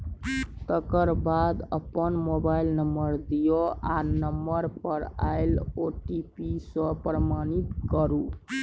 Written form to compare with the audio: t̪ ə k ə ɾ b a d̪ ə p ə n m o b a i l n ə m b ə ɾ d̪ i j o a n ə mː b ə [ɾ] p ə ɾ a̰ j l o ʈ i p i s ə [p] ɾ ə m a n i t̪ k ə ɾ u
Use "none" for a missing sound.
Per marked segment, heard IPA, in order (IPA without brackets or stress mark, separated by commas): ɾ, p